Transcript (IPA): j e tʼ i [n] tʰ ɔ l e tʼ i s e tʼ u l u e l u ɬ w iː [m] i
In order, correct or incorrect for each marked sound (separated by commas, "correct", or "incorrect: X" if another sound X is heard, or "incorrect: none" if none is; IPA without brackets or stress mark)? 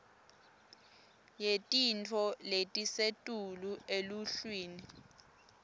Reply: correct, incorrect: n